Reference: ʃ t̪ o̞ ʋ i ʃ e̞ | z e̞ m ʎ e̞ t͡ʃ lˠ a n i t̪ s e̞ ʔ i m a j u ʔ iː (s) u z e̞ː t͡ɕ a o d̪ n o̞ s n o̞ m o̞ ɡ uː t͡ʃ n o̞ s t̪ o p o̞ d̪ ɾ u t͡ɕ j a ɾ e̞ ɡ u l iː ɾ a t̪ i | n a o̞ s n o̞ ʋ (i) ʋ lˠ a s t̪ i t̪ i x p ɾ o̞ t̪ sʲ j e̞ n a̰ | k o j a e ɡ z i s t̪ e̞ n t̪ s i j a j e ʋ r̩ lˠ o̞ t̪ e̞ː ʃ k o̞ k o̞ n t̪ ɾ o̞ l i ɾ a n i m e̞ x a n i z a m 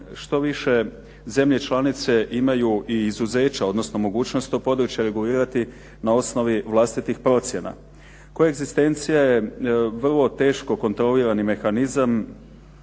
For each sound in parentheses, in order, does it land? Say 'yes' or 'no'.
no, yes

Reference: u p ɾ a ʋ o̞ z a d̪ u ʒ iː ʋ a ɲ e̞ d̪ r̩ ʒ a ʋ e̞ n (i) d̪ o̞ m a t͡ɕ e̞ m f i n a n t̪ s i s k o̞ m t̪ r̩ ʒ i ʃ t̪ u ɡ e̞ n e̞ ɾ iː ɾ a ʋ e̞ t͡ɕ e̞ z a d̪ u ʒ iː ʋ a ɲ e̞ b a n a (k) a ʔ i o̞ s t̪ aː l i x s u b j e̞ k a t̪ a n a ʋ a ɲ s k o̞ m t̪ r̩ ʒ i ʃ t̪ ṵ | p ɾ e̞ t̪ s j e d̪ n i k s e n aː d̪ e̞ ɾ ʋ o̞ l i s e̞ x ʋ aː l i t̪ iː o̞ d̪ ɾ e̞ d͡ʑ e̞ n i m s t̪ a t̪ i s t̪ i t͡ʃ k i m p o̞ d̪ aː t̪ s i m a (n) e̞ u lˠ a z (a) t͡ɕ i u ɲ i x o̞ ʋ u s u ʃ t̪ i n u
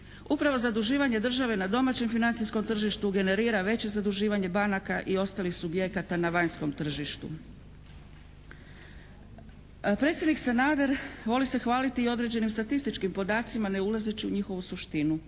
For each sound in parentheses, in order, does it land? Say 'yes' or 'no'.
no, yes, yes, no

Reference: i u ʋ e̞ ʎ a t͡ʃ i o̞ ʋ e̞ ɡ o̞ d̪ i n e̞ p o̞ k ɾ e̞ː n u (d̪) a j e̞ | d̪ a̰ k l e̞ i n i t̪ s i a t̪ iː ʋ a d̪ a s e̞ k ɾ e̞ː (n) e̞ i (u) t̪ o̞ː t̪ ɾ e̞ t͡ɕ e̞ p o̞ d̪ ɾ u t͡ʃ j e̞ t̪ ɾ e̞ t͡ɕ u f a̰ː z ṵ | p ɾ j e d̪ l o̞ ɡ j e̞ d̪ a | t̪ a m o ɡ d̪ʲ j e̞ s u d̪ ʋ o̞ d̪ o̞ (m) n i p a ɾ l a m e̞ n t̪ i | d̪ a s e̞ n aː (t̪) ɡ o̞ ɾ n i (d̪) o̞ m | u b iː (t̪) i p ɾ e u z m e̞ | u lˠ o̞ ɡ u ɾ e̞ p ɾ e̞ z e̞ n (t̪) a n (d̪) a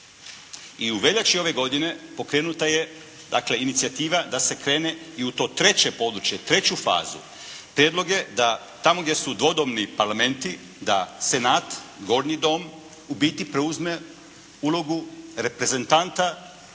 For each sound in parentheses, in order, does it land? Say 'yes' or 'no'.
no, yes, yes, yes, yes, yes, yes, yes, no

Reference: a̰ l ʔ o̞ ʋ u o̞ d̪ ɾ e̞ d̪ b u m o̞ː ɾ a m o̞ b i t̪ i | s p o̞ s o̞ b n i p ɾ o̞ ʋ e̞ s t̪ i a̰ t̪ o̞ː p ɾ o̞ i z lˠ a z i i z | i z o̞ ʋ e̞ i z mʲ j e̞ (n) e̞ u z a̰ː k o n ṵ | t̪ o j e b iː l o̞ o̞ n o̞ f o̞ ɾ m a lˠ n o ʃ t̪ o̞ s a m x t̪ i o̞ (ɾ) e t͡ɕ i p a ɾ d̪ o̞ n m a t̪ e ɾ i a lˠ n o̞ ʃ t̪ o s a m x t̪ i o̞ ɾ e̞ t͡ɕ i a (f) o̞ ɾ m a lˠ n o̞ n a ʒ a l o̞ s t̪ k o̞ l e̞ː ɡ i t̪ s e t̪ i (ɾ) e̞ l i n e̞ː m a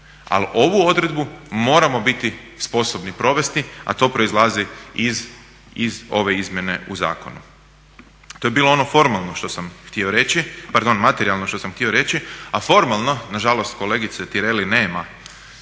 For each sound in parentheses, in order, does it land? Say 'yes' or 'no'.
yes, yes, yes, yes

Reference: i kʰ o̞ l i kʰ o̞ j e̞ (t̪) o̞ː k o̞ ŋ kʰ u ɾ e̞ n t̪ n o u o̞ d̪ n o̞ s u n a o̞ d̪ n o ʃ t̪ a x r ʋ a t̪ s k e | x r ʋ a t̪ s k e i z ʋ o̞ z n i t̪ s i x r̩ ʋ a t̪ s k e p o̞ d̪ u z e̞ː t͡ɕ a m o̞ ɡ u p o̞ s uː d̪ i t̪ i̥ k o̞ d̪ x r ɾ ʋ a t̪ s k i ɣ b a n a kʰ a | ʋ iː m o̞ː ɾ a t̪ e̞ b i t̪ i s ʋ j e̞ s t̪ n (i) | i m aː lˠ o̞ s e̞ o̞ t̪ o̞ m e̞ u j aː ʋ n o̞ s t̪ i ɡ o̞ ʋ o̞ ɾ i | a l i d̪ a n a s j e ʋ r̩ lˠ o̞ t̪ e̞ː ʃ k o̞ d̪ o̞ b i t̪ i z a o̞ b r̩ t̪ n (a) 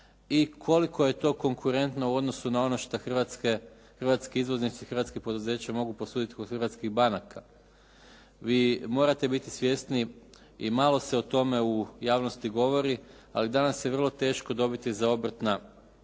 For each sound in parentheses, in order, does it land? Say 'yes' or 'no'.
yes, yes, yes

